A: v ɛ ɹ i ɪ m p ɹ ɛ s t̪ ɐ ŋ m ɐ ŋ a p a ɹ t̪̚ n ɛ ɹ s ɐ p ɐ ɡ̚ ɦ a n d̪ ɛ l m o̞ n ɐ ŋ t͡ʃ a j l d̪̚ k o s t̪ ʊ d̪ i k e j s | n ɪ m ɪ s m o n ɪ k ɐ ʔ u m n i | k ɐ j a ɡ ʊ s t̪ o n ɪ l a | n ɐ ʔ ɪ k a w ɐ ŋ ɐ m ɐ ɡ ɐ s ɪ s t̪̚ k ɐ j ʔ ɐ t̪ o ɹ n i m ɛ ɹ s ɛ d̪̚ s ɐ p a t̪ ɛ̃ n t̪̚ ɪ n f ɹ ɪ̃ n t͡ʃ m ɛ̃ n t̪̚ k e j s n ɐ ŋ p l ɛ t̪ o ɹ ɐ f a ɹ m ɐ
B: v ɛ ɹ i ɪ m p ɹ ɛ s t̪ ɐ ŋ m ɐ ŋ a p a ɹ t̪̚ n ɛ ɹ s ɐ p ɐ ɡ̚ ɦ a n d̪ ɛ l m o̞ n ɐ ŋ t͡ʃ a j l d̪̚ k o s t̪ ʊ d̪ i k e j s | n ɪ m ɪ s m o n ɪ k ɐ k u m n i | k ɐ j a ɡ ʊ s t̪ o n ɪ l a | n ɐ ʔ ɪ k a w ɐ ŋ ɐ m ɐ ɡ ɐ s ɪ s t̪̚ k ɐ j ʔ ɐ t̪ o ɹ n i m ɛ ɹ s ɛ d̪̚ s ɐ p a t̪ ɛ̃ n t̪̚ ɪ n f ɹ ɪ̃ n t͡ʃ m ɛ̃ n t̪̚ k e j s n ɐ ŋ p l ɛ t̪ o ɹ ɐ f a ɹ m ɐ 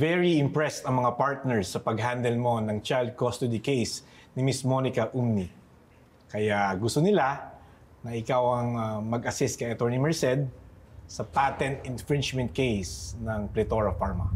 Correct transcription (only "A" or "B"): A